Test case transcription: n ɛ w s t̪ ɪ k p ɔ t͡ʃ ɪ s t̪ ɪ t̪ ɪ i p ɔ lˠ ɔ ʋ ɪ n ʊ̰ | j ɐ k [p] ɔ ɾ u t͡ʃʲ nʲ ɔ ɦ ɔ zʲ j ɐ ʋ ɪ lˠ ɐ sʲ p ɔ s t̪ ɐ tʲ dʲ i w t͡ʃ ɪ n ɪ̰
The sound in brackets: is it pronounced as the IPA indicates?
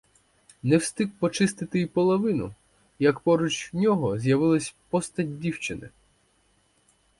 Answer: yes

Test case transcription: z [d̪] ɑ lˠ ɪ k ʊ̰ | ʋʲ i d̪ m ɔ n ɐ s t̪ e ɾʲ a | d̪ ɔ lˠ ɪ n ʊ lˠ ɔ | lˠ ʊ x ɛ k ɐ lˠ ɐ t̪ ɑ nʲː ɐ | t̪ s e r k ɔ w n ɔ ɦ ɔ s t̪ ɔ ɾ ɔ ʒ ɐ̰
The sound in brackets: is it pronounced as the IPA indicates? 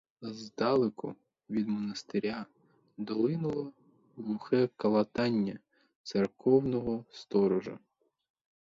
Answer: yes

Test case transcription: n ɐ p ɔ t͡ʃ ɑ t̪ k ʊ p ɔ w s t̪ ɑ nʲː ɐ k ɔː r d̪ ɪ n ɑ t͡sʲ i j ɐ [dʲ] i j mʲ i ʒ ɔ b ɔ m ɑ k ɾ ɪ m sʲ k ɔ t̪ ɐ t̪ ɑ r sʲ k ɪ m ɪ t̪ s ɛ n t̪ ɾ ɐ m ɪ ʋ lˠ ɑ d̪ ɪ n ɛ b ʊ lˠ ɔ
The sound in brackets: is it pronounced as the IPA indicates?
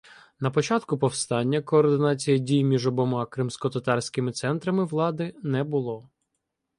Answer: yes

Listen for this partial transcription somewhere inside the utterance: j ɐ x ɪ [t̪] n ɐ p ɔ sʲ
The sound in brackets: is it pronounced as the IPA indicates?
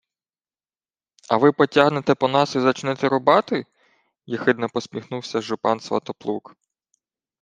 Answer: no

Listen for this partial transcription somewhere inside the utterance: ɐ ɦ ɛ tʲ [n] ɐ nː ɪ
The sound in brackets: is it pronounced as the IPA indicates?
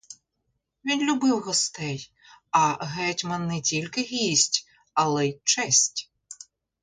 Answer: no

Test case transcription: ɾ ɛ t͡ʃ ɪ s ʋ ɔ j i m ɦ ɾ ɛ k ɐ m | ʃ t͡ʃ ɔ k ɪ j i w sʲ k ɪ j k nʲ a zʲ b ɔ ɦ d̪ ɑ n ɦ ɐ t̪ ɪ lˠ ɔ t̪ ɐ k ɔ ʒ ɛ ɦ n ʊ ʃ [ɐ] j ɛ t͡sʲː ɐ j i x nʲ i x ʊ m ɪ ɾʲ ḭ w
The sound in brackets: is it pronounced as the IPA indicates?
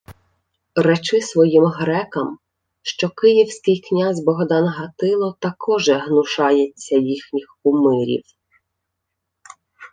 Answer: no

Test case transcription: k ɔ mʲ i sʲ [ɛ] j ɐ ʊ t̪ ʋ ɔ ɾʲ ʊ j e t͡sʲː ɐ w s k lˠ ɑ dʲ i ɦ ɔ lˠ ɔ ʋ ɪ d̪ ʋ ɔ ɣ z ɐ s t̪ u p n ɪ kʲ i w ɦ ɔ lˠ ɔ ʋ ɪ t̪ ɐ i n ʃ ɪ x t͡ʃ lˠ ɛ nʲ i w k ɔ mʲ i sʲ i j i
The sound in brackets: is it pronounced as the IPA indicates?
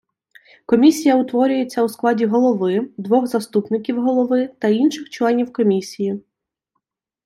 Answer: no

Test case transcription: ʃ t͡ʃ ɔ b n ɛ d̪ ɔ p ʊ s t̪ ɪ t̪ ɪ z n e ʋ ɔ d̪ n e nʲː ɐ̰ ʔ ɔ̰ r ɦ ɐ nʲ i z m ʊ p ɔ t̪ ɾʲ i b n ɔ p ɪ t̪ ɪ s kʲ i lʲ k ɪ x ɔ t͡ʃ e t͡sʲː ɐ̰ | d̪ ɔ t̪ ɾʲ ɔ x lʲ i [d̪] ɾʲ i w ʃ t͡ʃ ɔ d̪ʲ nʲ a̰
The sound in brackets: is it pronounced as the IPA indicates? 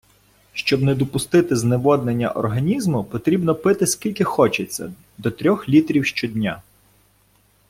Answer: no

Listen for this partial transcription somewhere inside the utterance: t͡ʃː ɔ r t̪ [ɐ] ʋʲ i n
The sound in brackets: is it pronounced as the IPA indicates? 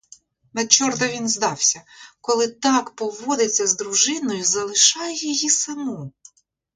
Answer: yes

